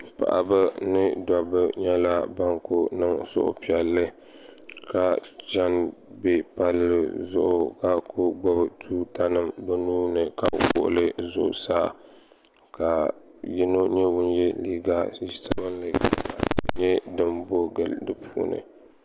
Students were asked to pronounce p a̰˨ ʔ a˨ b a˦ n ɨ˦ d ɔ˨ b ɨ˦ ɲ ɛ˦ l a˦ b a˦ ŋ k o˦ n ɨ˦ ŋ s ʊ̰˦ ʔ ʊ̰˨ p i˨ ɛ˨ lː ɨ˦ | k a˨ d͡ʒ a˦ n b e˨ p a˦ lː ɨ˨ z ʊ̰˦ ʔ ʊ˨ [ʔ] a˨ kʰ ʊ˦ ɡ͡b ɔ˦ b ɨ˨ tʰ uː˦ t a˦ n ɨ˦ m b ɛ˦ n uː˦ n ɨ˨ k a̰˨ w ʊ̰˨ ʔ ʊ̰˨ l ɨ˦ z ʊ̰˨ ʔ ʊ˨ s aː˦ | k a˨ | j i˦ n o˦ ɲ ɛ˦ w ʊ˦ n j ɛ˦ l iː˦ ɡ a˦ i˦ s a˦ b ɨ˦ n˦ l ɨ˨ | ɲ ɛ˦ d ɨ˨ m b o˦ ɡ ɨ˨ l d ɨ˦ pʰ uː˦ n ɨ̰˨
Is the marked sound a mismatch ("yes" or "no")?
yes